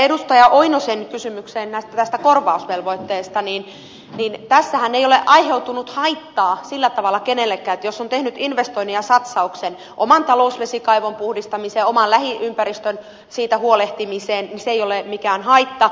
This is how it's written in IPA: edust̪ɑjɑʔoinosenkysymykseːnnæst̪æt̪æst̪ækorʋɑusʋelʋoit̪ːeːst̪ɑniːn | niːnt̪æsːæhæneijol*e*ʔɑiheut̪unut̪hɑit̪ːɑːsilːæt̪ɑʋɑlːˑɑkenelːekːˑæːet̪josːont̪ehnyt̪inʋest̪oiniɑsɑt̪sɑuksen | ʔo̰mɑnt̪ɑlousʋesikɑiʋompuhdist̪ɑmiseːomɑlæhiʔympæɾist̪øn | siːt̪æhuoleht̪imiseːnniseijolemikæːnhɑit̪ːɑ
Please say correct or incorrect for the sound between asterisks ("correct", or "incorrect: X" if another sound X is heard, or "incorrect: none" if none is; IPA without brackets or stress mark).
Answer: correct